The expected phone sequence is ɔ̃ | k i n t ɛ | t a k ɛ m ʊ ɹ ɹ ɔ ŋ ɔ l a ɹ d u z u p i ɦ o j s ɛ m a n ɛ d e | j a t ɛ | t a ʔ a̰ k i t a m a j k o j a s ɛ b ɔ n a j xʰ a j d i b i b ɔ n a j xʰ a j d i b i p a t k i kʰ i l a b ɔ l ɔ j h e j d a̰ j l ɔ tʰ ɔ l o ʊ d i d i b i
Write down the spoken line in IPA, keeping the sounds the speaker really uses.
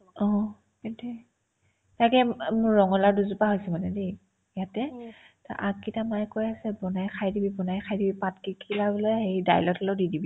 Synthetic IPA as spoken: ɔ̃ | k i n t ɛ | t a k ɛ m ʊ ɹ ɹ ɔ ŋ ɔ l a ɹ d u z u p a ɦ o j s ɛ m a n ɛ d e | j a t ɛ | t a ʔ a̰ k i t a m a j k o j a s ɛ b ɔ n a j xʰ a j d i b i b ɔ n a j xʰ a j d i b i p a t k i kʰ i l a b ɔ l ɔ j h e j d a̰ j l ɔ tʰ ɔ l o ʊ d i d i b i